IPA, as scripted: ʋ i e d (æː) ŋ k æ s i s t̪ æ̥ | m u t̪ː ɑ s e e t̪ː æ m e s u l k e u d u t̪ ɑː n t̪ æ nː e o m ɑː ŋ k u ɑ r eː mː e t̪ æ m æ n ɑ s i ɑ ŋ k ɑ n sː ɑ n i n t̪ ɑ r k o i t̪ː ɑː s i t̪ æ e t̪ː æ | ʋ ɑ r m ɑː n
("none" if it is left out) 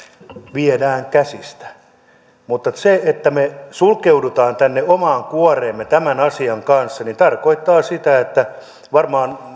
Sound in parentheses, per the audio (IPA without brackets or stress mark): æː